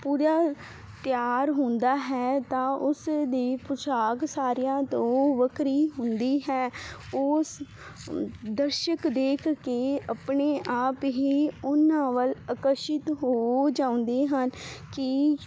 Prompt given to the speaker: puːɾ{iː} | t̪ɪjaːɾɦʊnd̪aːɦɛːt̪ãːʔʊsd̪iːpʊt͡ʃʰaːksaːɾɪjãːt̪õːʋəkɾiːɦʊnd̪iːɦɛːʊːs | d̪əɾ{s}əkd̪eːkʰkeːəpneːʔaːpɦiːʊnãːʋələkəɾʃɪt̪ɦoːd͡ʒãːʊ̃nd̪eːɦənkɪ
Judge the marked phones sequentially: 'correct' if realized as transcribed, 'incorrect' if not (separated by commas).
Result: incorrect, incorrect